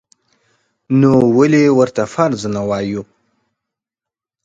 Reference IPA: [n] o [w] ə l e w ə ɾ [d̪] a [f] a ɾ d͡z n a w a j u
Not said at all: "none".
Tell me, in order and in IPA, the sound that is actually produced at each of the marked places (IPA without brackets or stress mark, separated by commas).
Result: n, w, t̪, f